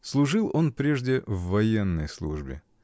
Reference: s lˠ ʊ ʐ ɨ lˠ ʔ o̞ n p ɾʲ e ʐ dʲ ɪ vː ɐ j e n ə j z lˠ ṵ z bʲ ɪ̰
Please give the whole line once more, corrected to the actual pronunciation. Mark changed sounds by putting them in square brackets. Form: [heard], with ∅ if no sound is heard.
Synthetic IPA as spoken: s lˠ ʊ ʐ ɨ lˠ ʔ o̞ n p ɾʲ e ʐ dʲ ɪ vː ɐ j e [nː] ə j [s] lˠ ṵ [ʐ] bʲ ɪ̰